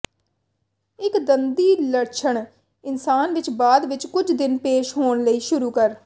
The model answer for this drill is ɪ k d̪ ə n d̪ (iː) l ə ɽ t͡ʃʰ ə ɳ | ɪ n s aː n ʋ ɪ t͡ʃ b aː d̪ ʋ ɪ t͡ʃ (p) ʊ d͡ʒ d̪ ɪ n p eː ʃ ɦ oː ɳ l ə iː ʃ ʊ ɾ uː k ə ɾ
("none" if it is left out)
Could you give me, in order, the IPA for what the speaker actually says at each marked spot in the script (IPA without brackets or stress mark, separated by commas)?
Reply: iː, k